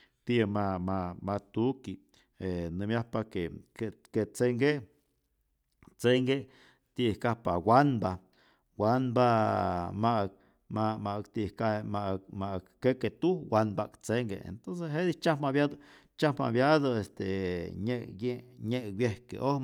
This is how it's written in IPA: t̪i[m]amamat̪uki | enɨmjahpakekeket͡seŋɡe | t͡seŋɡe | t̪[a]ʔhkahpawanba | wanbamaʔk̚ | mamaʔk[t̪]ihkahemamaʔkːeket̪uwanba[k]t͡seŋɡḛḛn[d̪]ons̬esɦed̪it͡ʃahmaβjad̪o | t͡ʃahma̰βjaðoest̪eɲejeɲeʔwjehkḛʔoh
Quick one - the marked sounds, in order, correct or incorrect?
correct, incorrect: i, correct, correct, incorrect: t̪

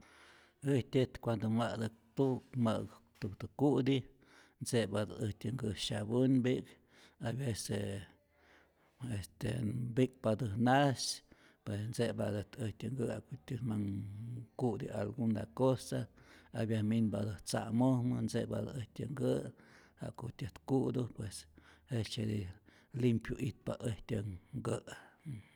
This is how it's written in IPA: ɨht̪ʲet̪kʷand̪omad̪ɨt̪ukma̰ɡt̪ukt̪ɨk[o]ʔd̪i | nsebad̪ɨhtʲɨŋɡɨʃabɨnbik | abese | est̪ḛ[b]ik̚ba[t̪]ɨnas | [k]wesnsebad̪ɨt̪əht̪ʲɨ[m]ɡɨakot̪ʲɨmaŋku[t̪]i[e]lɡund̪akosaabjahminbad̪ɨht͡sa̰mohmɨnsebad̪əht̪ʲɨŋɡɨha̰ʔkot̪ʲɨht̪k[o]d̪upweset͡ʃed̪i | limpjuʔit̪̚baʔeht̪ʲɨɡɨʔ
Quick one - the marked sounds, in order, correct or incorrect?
incorrect: u, correct, incorrect: d̪, incorrect: p, incorrect: ŋ, incorrect: d̪, incorrect: a, incorrect: u

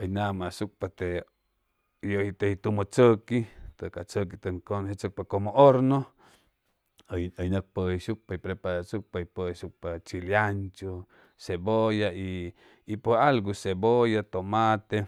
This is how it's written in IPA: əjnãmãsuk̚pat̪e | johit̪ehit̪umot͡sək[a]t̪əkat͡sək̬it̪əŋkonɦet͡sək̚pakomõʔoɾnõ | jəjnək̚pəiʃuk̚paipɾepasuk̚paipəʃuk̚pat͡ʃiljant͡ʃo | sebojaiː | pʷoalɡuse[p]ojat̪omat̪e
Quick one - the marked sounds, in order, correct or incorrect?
incorrect: i, incorrect: b

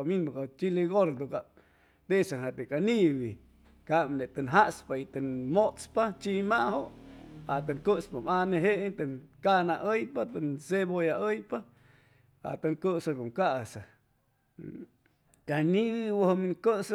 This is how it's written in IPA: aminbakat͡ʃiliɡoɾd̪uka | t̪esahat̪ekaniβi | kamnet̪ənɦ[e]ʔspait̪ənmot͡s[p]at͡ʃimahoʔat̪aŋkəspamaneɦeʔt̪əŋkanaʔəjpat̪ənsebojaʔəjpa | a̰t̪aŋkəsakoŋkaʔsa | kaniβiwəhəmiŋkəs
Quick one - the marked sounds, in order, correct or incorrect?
incorrect: a, correct

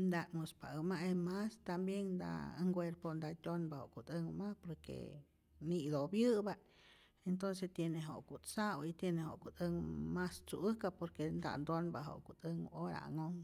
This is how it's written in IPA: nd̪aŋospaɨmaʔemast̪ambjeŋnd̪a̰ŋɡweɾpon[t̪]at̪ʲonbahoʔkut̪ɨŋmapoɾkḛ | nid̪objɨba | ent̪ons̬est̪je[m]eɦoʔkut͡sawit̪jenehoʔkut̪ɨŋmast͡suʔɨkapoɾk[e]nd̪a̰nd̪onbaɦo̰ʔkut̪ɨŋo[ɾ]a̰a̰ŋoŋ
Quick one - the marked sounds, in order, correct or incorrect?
incorrect: d̪, incorrect: n, correct, correct

